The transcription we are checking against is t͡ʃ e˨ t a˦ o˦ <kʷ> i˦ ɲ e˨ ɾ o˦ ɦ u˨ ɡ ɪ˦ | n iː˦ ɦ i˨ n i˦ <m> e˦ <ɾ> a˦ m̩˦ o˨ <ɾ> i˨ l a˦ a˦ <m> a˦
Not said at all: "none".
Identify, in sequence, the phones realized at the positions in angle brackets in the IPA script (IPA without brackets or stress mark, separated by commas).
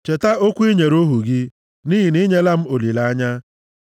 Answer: kʷ, ɲ, l, l, ɲ